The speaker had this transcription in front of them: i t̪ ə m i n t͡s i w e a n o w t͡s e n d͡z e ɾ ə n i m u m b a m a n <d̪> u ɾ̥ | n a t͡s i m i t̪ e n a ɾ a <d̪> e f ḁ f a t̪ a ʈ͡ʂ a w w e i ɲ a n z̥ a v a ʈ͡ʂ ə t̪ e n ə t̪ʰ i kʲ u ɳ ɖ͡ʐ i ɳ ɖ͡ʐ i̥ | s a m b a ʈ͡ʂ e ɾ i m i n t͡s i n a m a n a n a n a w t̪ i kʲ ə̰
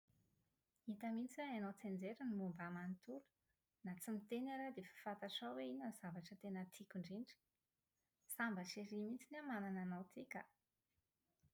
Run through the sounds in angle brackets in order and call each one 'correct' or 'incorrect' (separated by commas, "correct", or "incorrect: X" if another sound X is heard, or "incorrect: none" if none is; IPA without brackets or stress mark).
incorrect: t̪, correct